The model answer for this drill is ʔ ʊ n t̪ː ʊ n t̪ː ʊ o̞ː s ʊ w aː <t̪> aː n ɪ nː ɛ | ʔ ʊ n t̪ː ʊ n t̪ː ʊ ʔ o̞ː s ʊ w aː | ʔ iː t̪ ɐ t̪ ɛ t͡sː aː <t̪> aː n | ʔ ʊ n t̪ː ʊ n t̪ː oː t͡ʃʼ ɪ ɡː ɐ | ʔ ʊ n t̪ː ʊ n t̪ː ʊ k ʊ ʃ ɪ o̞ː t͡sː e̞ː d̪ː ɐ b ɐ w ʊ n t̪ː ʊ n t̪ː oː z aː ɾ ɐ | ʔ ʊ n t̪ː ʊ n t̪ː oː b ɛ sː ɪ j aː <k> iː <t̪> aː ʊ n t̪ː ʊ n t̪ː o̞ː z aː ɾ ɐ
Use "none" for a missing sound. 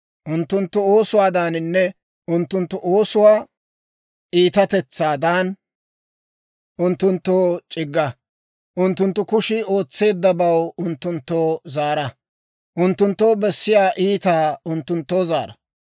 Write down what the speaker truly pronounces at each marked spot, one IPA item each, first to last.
d̪, d̪, ʔ, t̪

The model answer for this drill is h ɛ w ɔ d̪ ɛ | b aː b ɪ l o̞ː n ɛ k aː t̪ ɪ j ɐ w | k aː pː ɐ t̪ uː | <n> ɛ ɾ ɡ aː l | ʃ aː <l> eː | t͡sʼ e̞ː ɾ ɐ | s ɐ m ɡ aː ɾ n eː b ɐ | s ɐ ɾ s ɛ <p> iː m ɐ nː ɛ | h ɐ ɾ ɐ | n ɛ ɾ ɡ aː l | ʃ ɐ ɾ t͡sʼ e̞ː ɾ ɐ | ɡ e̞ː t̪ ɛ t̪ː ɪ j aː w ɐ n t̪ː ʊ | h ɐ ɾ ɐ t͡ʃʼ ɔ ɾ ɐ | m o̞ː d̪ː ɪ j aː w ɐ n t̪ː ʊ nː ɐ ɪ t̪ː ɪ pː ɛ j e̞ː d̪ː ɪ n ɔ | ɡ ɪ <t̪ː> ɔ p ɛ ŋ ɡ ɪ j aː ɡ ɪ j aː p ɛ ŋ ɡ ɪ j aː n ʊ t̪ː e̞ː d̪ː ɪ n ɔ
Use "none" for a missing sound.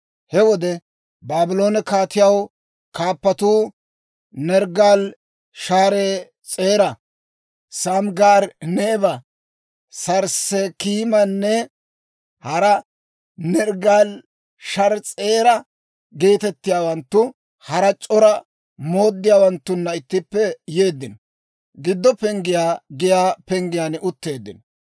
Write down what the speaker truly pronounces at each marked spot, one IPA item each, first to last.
n, ɾ, k, d̪ː

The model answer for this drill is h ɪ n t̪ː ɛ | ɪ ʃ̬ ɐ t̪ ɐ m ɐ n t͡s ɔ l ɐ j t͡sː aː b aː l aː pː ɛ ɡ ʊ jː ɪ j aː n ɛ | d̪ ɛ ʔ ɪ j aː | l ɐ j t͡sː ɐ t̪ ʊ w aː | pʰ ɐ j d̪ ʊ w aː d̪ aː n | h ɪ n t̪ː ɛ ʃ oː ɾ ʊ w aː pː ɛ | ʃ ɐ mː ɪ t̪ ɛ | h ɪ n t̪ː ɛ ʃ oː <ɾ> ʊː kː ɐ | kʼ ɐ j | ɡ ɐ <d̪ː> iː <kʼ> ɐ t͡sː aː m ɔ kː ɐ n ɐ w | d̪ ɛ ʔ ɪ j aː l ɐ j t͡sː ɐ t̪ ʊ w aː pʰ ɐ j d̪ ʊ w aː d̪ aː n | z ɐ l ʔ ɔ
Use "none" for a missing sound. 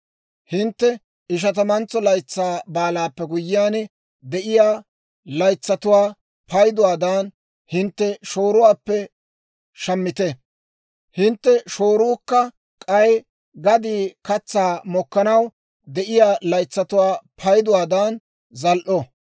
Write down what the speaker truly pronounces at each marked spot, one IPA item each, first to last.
ɾ, d̪, k

